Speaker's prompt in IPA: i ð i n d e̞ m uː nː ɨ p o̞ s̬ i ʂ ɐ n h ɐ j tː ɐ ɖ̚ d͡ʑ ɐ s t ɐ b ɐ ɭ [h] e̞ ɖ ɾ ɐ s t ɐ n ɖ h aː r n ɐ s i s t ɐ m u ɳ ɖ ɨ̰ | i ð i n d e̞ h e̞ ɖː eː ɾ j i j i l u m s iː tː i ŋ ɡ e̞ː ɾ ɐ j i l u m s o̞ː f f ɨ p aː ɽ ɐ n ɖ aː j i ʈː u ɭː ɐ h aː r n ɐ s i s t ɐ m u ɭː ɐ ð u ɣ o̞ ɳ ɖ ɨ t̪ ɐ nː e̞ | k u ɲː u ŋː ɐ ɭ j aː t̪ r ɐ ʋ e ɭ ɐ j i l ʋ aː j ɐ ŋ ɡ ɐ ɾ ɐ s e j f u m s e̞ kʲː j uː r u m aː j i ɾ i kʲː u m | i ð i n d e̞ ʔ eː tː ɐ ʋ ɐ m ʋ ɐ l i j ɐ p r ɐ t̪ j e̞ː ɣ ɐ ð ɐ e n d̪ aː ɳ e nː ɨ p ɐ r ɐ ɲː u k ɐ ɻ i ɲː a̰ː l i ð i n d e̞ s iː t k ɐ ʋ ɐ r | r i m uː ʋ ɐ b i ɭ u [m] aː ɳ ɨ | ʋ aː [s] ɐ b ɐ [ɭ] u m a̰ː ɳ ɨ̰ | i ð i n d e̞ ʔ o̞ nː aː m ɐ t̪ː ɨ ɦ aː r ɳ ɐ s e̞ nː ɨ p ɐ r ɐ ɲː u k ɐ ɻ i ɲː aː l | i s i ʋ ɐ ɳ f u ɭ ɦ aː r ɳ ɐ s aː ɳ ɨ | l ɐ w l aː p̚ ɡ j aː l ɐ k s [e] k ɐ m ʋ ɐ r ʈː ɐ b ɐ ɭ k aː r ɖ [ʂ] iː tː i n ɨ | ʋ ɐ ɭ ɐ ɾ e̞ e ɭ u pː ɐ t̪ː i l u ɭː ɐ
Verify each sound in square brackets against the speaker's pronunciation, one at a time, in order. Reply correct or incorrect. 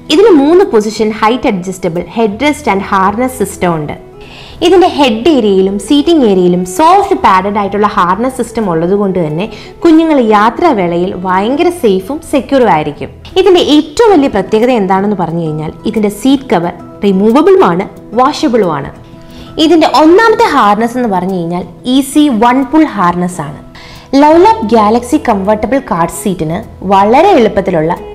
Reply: correct, correct, incorrect, correct, incorrect, incorrect

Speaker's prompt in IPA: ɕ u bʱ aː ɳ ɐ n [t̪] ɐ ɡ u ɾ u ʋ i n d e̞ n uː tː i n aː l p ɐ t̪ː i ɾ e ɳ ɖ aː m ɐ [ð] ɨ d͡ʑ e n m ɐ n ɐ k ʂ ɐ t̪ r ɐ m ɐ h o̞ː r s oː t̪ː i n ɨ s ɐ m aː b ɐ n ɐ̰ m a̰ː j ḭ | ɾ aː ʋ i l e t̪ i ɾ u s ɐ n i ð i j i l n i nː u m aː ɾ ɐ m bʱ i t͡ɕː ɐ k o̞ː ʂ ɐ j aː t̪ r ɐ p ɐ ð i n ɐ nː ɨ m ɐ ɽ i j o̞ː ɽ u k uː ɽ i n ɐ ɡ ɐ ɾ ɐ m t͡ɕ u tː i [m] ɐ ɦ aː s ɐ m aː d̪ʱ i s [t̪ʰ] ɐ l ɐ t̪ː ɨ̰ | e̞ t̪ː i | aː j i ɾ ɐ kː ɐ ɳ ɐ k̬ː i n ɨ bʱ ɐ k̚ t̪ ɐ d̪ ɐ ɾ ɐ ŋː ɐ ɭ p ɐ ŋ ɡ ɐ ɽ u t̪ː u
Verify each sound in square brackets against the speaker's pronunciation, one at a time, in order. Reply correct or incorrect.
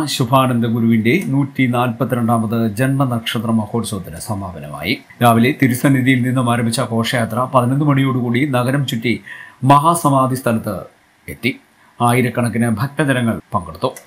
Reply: incorrect, correct, correct, correct

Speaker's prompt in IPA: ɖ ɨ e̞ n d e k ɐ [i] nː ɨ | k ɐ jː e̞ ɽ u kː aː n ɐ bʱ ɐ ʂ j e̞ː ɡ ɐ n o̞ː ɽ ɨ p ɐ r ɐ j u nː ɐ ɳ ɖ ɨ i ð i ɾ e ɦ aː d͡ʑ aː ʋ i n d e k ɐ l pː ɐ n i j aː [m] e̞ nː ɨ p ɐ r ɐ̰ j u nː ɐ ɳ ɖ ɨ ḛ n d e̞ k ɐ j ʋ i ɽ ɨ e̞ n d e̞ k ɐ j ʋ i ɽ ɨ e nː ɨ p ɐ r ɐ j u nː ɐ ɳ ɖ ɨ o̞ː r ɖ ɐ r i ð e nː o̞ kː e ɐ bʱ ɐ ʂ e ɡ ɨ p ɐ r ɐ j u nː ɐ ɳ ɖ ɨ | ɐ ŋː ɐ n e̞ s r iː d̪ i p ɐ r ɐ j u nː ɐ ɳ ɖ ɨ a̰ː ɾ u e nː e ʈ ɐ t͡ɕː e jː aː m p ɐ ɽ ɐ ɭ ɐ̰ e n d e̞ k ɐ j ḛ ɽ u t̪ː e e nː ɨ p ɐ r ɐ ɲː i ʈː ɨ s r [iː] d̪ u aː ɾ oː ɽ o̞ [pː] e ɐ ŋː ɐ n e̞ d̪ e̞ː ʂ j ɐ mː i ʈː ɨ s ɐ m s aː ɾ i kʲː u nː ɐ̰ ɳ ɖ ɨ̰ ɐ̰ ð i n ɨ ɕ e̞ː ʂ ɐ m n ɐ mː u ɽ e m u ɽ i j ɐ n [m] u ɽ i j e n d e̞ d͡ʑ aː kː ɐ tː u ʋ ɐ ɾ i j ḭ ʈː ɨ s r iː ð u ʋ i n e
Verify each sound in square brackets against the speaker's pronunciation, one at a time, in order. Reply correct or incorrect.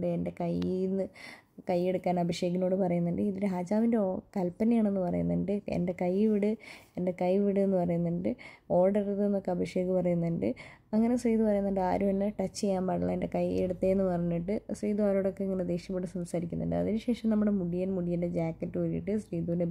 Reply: incorrect, incorrect, correct, incorrect, correct

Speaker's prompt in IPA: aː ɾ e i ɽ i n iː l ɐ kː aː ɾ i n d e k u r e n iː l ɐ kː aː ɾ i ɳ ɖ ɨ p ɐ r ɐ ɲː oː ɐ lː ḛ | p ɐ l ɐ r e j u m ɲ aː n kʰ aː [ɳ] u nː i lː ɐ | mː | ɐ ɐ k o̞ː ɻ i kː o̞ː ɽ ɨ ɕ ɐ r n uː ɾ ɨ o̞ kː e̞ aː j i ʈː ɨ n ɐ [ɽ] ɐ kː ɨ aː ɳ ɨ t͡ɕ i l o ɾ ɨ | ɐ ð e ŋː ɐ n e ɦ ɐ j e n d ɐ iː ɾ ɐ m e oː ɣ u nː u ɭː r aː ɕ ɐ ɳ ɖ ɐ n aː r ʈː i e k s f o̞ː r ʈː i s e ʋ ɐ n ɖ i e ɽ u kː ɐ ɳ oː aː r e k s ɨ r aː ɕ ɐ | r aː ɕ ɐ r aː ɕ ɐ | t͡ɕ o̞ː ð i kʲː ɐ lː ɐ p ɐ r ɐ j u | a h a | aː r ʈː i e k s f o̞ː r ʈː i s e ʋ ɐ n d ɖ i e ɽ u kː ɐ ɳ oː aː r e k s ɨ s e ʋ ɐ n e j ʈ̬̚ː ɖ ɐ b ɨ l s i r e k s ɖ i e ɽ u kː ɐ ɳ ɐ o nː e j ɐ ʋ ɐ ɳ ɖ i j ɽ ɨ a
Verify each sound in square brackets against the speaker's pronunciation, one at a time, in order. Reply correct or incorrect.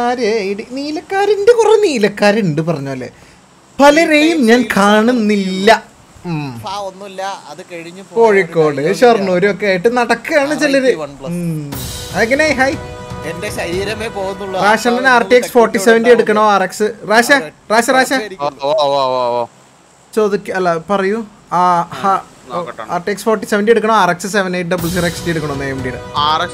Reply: correct, correct

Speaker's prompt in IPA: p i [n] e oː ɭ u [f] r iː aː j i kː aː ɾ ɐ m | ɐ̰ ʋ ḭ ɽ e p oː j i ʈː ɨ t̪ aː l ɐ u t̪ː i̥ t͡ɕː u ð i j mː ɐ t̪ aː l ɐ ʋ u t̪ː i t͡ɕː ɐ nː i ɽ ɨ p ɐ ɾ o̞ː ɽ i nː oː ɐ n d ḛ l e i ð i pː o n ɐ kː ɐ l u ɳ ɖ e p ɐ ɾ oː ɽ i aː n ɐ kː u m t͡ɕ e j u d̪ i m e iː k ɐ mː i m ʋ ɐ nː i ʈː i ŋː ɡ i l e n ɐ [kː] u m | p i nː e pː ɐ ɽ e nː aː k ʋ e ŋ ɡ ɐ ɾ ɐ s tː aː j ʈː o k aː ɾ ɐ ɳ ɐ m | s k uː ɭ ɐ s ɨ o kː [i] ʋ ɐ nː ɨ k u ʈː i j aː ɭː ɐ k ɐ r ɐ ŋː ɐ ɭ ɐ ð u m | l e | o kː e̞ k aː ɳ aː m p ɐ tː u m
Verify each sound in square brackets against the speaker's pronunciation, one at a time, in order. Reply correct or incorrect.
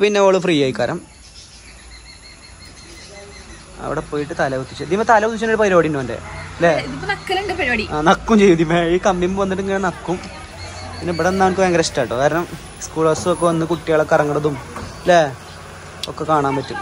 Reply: incorrect, correct, correct, incorrect

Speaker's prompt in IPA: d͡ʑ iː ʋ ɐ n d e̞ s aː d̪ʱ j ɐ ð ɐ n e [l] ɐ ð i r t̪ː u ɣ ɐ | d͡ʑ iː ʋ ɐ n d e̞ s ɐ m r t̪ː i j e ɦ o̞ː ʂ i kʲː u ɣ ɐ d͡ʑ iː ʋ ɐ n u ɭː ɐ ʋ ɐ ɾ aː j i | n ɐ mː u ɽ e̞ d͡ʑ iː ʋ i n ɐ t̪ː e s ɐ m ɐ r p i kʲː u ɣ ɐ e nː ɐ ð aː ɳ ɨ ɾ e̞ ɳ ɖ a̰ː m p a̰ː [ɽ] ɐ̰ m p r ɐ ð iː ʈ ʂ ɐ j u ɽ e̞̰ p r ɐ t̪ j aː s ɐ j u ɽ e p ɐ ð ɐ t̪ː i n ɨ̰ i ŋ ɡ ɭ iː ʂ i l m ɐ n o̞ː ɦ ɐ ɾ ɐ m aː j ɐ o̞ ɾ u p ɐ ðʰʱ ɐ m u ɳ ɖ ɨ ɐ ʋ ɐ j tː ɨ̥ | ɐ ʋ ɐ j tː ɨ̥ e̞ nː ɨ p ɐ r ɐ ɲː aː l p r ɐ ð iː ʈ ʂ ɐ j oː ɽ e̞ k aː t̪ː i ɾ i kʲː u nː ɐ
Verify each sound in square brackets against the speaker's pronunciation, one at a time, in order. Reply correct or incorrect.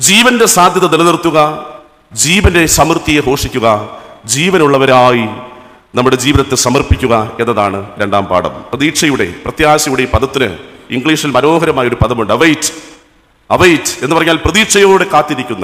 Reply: correct, correct

